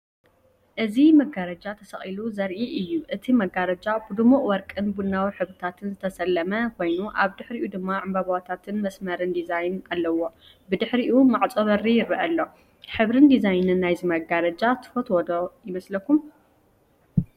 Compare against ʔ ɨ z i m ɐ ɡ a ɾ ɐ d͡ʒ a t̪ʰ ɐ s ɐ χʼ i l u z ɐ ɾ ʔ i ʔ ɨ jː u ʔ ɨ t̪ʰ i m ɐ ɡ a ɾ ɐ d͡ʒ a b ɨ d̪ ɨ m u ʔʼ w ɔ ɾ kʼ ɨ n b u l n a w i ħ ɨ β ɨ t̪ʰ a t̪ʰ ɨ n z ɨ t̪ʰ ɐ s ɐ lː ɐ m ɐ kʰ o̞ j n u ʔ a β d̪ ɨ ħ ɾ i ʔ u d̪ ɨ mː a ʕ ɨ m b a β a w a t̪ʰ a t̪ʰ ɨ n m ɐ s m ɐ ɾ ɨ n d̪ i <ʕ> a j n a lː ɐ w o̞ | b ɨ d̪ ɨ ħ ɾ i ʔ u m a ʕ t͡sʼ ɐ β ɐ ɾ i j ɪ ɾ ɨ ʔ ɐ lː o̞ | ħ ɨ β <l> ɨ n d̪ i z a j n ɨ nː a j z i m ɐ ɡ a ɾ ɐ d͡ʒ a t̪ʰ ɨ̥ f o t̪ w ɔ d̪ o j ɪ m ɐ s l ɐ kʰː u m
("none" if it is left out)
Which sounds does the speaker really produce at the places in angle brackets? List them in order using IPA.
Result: z, ɾ

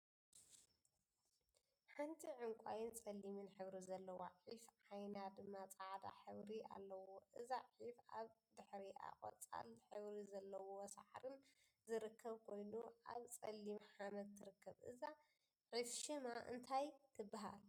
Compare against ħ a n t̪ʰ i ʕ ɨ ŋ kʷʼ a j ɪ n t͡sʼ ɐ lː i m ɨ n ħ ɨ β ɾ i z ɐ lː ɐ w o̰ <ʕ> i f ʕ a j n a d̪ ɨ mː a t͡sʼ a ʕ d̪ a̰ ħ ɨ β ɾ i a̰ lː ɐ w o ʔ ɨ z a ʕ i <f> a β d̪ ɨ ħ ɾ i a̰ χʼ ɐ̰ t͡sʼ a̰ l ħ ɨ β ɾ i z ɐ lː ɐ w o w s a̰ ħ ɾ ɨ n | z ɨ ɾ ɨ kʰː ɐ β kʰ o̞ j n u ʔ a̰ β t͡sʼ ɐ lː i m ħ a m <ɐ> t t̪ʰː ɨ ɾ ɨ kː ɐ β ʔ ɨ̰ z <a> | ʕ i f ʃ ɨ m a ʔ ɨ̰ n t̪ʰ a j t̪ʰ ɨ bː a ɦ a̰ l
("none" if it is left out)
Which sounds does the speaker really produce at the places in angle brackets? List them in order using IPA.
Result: ʕ, f, ɐ, a

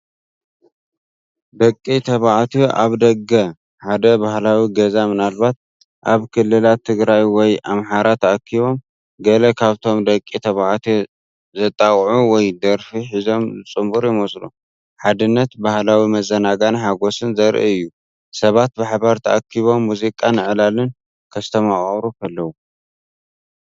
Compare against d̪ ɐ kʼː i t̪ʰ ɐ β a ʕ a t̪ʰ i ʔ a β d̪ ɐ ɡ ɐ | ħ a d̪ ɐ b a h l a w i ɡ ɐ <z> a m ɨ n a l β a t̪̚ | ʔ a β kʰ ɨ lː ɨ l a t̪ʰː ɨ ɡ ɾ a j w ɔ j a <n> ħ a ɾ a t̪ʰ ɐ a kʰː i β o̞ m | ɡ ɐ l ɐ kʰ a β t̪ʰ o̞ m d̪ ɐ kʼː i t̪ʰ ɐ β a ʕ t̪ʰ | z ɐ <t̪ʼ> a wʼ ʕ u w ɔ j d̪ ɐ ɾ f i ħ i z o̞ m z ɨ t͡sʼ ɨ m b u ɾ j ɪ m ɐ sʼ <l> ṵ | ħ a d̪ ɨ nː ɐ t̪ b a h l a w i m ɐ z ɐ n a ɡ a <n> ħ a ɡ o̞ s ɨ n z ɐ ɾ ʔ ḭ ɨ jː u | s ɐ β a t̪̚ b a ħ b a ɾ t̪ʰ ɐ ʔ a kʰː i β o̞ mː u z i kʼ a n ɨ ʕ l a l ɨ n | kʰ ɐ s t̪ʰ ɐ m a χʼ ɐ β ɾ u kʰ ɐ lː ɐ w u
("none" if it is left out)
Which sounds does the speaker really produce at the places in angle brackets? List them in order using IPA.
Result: z, m, t̪ʼ, l, n

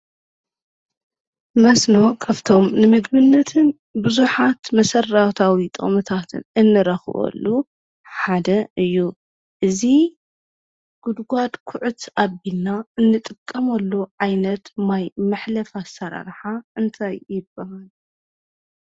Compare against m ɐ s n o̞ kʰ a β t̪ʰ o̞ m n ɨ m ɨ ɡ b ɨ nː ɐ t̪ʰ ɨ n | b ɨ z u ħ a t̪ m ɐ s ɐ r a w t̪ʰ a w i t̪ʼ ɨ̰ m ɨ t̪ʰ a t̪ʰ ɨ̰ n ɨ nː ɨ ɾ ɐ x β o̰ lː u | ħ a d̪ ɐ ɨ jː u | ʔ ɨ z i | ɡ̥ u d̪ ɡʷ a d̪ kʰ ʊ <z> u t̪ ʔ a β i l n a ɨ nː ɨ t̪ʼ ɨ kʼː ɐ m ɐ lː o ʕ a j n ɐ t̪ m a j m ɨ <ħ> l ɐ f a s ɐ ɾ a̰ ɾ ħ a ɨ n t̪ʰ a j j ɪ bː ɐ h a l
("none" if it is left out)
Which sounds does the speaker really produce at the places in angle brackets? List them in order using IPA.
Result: ʕ, ħ

